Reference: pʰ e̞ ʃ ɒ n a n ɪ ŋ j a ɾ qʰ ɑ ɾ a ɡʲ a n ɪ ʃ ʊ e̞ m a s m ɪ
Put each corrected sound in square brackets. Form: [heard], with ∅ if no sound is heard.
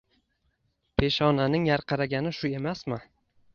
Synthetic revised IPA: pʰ e̞ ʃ ɒ n a n ɪ ŋ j a ɾ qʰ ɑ ɾ a ɡʲ a n ɪ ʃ ʊ e̞ m a s m ɪ